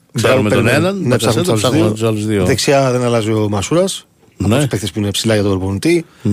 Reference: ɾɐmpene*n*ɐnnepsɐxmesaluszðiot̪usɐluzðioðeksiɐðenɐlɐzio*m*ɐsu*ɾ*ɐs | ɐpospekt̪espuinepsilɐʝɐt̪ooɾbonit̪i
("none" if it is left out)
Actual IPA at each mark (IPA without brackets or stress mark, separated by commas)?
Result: n, m, ɾ